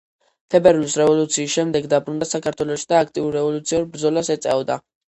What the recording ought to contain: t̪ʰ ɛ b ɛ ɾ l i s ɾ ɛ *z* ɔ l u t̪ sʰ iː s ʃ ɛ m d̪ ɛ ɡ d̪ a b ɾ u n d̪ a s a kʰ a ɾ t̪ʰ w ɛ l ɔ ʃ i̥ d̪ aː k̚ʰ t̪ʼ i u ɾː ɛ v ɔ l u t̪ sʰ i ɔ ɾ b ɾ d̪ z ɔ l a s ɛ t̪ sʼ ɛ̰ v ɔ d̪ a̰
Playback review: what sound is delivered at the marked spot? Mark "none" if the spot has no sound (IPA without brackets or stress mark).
v